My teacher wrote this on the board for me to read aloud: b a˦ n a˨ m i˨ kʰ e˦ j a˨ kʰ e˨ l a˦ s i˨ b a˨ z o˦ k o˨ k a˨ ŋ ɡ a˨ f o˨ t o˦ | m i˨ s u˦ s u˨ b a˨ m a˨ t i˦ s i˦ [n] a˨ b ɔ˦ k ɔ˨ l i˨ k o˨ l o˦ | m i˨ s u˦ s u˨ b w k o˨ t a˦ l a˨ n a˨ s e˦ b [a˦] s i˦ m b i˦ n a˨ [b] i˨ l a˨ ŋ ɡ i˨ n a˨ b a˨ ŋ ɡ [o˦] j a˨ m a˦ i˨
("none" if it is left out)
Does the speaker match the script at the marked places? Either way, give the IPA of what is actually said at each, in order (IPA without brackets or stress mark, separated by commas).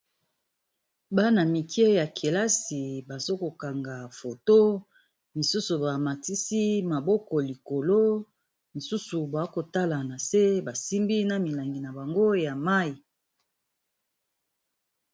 m, a˨, m, o˦